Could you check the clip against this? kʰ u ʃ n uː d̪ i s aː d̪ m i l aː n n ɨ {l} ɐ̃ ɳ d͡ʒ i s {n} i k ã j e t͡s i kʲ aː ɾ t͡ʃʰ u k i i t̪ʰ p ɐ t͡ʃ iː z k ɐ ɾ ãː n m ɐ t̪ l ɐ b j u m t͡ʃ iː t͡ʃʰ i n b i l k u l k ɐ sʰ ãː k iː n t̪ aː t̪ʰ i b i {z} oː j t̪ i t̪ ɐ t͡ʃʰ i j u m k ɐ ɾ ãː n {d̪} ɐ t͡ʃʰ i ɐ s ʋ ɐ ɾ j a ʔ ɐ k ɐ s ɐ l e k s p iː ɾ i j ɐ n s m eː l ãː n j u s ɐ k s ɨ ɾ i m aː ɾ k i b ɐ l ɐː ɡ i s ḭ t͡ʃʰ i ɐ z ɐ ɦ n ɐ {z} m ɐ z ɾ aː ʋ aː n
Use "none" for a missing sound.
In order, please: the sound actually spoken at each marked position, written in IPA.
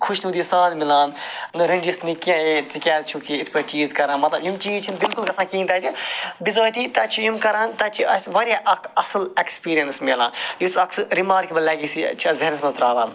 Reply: ɾ, n, z, t̪, s

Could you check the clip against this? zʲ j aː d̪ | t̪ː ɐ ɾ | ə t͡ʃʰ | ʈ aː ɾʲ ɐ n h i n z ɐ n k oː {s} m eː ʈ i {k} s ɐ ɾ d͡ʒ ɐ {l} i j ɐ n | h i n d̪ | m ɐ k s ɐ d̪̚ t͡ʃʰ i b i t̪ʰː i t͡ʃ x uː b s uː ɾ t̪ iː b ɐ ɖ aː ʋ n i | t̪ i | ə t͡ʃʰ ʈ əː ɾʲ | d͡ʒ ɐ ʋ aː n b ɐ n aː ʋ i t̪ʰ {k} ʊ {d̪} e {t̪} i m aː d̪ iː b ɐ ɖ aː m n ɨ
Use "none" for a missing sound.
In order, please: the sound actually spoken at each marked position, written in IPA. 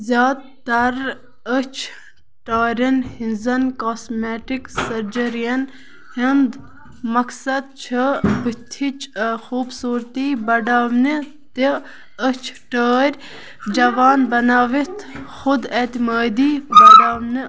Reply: s, k, ɾ, x, d̪, t̪

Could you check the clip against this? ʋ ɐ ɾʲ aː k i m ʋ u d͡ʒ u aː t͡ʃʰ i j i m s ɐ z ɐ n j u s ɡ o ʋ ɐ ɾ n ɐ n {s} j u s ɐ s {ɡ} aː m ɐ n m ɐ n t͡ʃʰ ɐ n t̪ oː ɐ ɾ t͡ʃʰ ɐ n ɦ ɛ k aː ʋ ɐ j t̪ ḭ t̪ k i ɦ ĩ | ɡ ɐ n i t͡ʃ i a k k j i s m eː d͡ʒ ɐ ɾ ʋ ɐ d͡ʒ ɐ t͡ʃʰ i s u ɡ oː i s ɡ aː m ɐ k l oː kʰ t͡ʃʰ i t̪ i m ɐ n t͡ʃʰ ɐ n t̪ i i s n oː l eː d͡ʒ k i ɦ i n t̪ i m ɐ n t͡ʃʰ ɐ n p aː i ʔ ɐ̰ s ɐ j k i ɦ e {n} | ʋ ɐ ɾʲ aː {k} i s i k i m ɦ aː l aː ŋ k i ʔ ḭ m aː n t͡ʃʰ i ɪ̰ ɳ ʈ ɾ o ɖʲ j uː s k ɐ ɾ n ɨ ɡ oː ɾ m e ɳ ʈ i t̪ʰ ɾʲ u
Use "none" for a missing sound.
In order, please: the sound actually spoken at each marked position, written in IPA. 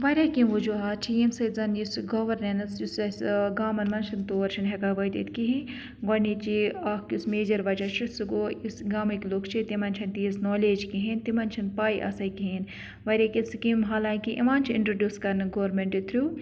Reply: s, ɡ, n, k

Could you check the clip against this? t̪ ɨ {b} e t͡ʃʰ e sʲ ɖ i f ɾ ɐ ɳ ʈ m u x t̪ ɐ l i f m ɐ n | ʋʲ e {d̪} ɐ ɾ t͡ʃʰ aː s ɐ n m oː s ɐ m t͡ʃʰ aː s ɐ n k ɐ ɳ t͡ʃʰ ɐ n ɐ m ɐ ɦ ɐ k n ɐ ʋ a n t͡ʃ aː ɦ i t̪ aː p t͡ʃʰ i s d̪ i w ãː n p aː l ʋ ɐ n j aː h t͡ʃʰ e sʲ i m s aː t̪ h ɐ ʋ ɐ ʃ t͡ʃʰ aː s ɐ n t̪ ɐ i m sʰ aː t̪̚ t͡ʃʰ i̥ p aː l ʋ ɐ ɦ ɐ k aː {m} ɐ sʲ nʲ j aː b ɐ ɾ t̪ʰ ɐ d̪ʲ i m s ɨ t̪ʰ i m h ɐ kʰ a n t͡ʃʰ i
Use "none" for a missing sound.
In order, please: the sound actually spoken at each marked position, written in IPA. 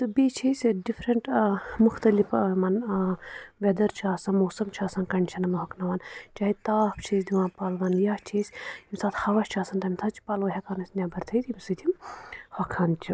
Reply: b, d̪, n

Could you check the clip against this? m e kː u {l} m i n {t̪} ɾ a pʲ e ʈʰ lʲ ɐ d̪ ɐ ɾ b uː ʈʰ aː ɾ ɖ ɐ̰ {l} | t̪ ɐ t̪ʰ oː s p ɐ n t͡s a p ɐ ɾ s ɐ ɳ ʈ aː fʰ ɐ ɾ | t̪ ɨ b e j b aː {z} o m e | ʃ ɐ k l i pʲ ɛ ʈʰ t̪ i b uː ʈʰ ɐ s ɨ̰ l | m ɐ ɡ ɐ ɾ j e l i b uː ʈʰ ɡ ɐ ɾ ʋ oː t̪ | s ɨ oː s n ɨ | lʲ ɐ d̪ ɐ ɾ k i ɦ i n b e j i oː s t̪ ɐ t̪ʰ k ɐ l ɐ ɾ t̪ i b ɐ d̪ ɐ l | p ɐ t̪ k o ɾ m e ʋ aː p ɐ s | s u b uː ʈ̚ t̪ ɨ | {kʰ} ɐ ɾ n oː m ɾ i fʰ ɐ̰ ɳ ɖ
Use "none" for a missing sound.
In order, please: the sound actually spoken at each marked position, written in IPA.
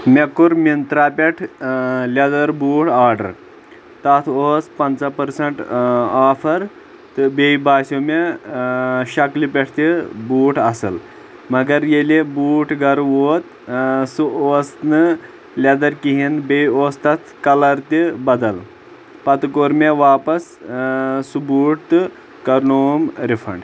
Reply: ɾ, t̪, ɾ, s, k

